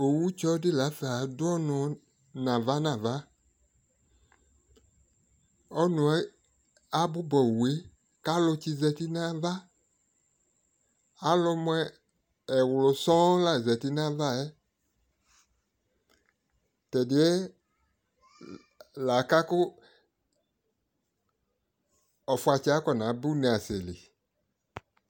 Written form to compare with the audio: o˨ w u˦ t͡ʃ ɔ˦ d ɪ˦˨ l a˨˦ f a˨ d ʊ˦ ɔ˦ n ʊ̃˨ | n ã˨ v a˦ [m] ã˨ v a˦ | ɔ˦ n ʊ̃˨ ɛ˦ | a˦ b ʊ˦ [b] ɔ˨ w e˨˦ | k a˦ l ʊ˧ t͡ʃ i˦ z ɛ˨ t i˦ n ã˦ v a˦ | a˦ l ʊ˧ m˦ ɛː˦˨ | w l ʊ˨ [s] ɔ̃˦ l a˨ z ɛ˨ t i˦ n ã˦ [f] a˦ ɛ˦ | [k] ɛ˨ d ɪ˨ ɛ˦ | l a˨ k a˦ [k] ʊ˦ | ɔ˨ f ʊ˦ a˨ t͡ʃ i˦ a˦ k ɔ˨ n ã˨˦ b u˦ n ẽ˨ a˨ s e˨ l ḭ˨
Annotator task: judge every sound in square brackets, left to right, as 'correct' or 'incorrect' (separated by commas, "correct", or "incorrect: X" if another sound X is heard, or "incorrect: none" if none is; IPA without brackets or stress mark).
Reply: incorrect: n, correct, correct, incorrect: v, incorrect: t, correct